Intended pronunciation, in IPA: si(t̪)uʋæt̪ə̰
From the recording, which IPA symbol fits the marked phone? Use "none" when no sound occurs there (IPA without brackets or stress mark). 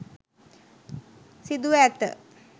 d̪